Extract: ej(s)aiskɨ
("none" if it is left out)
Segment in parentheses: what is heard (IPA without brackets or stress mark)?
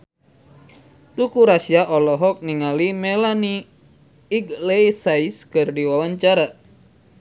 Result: s